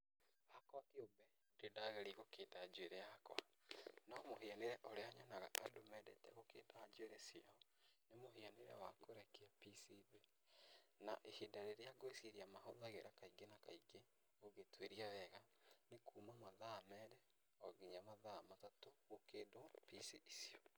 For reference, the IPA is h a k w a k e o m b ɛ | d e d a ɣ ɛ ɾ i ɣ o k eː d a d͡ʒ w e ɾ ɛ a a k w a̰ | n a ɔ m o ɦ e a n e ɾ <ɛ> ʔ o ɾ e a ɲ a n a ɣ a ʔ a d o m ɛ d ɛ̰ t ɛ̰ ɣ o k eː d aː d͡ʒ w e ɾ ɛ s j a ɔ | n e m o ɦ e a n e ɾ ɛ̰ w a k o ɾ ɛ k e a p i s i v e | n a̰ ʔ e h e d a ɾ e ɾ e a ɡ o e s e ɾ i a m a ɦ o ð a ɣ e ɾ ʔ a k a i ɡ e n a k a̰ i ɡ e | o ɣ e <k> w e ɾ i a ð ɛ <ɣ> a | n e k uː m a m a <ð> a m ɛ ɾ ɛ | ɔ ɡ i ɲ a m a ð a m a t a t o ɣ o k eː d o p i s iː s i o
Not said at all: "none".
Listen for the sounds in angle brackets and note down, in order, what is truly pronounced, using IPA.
ɛ, t, ɣ, ð

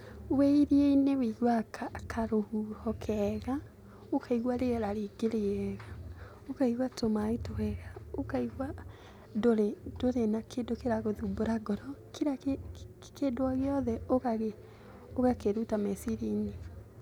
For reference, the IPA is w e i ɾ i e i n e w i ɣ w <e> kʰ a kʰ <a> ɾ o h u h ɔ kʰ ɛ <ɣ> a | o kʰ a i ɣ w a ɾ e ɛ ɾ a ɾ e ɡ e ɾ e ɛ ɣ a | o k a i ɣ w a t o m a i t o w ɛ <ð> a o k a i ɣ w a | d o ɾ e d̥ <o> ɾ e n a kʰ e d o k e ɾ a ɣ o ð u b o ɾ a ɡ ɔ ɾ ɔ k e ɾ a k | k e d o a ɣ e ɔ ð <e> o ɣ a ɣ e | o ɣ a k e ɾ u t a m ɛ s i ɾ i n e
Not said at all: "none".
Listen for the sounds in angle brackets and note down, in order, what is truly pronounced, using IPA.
a, a, ɣ, ɣ, o, ɛ

